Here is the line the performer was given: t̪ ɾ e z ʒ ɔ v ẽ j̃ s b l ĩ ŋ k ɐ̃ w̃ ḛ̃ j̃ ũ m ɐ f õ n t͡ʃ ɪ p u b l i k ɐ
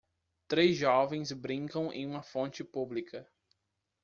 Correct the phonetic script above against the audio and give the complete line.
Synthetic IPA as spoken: t̪ ɾ e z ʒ ɔ v ẽ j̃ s b ɾ ĩ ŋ k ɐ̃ w̃ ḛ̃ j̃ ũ m ɐ f õ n t͡ʃ ɪ p u b l i k ɐ